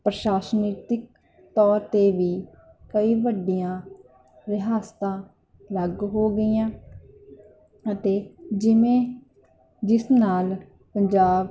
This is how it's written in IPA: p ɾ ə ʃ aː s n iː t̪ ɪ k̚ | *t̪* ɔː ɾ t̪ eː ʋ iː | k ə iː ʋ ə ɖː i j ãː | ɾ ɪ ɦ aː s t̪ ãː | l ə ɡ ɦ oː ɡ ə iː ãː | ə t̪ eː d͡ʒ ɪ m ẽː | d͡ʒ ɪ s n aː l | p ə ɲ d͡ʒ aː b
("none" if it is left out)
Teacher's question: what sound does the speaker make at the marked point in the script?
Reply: t̪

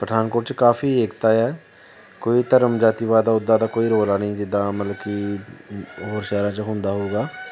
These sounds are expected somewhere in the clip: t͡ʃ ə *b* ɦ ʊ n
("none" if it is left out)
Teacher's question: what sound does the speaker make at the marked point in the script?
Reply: none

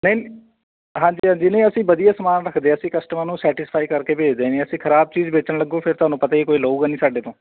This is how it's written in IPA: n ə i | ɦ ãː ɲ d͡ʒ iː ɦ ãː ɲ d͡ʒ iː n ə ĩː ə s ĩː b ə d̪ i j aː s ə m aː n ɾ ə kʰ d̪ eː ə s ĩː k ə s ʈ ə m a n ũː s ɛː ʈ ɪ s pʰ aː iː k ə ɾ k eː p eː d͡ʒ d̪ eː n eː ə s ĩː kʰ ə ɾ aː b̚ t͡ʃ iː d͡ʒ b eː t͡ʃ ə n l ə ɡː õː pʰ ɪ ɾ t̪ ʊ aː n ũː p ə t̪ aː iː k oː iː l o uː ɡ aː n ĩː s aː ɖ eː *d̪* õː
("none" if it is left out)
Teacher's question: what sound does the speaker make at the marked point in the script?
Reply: t̪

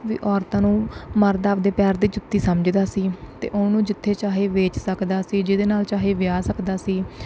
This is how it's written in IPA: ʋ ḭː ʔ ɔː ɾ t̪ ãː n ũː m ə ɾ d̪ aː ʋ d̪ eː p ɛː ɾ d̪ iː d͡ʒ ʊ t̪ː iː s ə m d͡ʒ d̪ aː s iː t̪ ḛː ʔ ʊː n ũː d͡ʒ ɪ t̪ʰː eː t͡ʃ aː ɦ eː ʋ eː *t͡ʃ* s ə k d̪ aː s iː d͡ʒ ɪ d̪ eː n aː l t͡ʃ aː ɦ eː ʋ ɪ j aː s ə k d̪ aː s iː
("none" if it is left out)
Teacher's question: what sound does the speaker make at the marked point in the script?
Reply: t͡ʃ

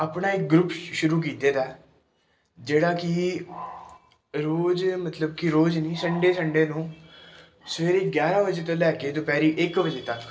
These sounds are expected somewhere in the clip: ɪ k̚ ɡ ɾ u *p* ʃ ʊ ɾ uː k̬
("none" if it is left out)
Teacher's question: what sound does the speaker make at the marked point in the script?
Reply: p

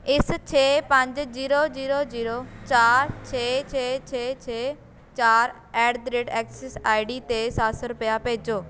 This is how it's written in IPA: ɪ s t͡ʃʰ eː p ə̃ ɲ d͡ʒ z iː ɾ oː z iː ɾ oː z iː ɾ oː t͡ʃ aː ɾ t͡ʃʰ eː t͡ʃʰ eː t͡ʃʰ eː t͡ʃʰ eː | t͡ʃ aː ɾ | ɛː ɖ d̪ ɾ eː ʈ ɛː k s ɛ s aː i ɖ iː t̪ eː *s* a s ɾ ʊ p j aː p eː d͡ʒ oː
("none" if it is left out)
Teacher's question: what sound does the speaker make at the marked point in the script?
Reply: s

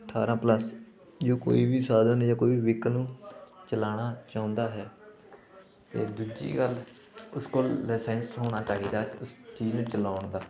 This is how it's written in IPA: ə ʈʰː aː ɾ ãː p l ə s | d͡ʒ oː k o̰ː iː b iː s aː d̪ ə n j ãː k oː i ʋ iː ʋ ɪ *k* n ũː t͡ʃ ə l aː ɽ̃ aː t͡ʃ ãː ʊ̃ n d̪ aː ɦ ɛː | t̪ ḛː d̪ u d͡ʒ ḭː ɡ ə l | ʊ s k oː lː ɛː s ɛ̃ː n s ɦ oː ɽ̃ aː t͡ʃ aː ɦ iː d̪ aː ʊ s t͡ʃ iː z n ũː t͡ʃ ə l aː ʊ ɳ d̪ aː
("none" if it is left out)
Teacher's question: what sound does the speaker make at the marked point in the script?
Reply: k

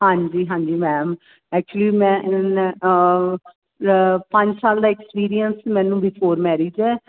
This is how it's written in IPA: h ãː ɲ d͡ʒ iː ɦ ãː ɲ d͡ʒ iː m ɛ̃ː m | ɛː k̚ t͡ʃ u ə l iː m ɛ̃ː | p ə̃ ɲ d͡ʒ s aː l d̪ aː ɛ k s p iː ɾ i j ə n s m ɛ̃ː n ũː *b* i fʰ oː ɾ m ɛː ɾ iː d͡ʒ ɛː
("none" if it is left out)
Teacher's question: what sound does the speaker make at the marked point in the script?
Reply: b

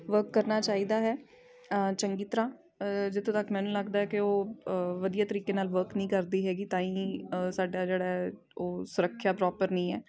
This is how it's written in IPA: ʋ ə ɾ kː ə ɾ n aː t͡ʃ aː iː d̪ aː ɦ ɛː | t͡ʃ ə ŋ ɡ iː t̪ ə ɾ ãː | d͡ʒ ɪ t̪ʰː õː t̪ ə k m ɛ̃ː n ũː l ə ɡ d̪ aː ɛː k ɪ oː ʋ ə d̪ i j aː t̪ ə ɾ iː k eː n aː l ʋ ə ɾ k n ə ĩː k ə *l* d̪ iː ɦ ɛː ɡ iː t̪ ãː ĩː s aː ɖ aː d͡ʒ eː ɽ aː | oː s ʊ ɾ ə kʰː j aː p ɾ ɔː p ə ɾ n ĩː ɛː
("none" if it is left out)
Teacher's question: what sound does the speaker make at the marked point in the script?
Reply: ɾ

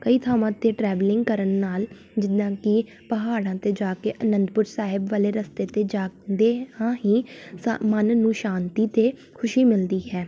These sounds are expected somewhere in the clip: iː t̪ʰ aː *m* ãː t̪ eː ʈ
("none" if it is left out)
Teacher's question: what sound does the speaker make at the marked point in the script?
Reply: m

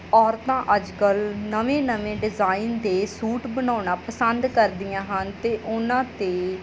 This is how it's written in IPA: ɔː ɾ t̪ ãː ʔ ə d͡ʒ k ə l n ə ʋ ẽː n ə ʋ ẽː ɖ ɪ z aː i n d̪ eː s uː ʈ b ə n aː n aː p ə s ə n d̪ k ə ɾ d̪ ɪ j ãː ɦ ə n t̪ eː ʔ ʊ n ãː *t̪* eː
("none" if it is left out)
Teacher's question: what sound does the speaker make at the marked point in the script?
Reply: t̪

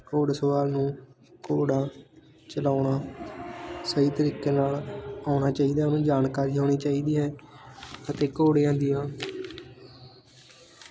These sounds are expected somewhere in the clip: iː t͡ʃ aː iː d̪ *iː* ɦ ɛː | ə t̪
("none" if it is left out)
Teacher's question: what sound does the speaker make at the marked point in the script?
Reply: iː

